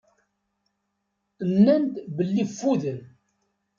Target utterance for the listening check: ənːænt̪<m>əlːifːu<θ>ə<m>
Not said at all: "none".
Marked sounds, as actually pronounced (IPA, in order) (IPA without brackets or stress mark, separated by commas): b, ð, n